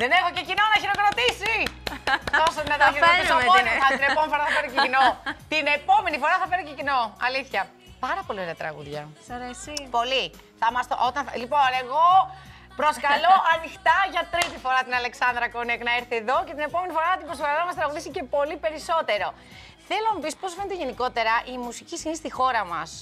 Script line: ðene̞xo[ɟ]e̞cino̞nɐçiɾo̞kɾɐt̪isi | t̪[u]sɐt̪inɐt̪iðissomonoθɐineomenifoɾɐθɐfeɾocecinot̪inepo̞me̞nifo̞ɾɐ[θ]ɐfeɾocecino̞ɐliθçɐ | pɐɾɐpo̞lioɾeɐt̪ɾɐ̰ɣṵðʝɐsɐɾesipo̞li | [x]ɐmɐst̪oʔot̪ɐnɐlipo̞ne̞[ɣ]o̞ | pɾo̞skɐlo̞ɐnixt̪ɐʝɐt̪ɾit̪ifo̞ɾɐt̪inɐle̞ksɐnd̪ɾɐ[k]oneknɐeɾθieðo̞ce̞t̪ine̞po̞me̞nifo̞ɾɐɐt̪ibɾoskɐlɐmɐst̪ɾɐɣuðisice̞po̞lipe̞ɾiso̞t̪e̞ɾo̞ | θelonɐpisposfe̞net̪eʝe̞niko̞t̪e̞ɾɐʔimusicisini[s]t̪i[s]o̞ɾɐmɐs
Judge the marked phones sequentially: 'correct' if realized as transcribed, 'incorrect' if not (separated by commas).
incorrect, incorrect, correct, incorrect, correct, correct, correct, incorrect